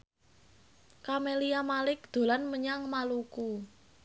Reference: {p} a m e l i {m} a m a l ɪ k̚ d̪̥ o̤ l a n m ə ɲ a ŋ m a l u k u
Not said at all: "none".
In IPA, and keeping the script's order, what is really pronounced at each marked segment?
k, none

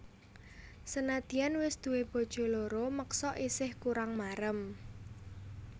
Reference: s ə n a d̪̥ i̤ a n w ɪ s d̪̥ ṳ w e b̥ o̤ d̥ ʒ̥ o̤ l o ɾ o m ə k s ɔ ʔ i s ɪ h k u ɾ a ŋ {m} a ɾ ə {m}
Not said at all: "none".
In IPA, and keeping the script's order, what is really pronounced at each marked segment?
m, m

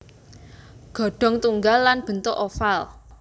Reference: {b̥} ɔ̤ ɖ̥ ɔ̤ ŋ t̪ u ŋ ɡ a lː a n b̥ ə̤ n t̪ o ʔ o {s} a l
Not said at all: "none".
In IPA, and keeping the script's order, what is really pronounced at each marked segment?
ɡ̥, f

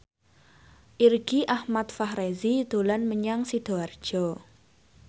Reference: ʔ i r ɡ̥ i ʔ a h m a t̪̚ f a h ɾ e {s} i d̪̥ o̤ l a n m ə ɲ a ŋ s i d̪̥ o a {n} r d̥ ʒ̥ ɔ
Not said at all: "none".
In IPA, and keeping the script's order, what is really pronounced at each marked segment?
z, none

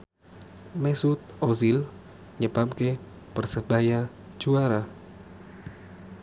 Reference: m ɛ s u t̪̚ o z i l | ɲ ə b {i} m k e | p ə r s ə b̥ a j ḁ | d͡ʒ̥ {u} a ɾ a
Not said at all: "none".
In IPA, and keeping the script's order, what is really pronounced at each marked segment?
a, u

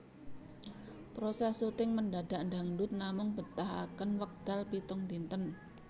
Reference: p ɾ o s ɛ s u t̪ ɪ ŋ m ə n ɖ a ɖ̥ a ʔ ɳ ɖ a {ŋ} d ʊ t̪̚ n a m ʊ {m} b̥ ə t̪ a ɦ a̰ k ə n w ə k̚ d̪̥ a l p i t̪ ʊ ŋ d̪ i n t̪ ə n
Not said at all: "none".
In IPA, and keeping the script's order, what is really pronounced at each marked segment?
ŋ, ŋ

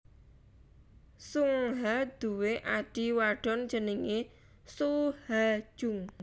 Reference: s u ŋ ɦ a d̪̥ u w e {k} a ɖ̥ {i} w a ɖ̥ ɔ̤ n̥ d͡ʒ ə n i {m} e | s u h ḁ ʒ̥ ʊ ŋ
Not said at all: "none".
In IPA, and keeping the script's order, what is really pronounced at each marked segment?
ʔ, i, ŋ

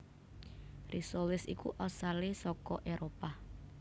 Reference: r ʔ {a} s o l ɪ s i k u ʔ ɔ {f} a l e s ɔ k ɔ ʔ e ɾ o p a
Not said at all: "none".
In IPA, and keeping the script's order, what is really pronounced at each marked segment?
i, s

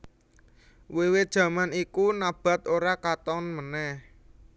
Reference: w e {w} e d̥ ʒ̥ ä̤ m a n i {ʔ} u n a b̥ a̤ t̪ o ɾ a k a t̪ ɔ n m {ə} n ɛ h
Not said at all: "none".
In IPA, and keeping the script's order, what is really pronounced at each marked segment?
w, k, ə

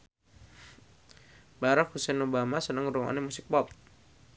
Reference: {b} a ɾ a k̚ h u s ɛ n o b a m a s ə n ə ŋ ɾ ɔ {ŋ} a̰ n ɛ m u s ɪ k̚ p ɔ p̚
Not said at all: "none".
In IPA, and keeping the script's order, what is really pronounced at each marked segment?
b, ŋ

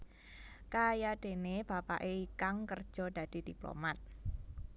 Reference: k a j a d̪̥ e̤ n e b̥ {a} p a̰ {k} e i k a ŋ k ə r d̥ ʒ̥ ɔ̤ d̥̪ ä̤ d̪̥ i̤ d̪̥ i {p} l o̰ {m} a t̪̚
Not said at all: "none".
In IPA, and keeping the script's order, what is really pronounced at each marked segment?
a, ʔ, p, m

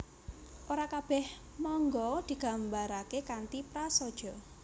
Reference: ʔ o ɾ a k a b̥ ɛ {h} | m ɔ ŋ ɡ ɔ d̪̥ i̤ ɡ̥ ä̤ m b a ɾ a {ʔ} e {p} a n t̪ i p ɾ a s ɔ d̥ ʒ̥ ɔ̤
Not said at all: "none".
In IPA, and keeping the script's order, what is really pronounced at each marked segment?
h, k, k

